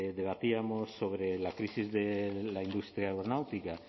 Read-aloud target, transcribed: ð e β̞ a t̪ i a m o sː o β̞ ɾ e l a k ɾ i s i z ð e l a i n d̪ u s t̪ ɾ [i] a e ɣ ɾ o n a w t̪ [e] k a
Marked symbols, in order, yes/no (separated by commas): no, no